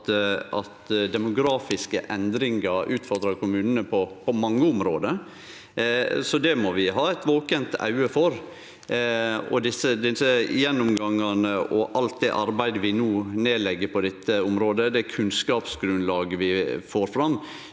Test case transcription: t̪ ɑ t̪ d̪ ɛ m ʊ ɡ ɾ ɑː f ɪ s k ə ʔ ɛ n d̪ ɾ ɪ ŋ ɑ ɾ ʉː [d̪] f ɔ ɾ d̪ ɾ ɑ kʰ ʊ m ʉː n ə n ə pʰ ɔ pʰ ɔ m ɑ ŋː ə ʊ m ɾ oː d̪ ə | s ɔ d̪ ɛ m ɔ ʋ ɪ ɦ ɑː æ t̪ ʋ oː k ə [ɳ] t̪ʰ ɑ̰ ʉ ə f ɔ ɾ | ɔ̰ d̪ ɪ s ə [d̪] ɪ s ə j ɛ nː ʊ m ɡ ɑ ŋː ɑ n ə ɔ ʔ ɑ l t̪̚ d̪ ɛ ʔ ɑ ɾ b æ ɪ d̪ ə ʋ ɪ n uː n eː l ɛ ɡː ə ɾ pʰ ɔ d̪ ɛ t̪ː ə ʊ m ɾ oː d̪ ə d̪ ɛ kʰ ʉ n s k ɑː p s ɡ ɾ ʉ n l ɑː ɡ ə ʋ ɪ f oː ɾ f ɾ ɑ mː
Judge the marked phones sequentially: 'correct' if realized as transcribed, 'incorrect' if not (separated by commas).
incorrect, incorrect, correct